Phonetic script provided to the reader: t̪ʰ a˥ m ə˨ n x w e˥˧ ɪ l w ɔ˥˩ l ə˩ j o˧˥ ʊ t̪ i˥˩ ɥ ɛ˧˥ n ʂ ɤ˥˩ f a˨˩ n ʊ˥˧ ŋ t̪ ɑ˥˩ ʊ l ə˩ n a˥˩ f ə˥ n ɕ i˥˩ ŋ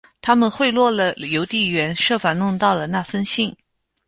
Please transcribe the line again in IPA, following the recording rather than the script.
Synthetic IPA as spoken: t̪ʰ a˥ m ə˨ n x w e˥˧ ɪ l w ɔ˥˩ l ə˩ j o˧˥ ʊ t̪ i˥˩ ɥ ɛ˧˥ n ʂ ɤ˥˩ f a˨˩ n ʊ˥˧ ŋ t̪ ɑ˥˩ ʊ l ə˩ n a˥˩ f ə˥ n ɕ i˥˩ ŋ